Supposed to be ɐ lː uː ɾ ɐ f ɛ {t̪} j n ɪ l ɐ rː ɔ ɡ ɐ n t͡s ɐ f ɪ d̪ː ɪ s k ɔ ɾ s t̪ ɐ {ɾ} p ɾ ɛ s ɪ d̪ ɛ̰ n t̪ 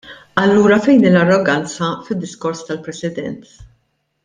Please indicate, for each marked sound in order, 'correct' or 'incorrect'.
incorrect: none, incorrect: l

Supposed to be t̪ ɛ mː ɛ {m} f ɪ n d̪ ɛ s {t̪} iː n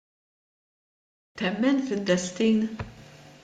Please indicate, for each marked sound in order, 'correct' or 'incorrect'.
incorrect: n, correct

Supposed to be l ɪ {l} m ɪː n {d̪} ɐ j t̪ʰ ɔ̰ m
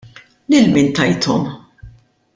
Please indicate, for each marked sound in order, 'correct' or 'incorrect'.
correct, incorrect: t̪

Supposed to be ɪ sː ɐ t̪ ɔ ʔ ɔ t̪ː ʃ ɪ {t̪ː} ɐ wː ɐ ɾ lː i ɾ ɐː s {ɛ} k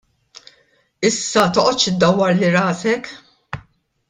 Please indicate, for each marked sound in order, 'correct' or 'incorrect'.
incorrect: d̪ː, correct

